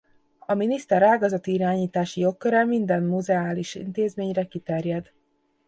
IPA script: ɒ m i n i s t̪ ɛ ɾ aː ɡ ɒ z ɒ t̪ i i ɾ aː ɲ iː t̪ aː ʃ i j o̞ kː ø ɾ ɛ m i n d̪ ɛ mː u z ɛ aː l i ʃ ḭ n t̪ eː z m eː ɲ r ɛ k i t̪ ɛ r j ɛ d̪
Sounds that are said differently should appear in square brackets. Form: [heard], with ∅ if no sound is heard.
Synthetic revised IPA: ɒ m i n i s t̪ ɛ ɾ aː ɡ ɒ z ɒ t̪ i i ɾ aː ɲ iː t̪ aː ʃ i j o̞ kː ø ɾ ɛ m i n d̪ ɛ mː u z ɛ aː l i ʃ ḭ n t̪ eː z m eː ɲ r ɛ k i t̪ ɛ r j ɛ d̪